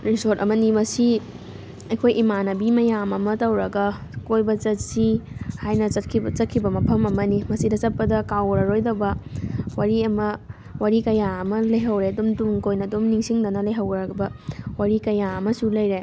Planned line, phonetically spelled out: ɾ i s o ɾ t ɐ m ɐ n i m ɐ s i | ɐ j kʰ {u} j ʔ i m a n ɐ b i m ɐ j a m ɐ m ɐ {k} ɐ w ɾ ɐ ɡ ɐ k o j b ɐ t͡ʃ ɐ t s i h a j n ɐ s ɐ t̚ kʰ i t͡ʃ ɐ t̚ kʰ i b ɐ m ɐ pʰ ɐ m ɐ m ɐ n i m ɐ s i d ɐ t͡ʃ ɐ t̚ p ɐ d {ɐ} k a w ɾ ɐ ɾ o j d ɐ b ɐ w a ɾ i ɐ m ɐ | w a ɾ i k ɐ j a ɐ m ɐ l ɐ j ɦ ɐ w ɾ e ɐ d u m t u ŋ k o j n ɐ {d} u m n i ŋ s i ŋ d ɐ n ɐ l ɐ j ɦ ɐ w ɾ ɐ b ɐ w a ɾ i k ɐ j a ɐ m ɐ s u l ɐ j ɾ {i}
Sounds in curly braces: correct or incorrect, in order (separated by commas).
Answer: incorrect, incorrect, correct, correct, incorrect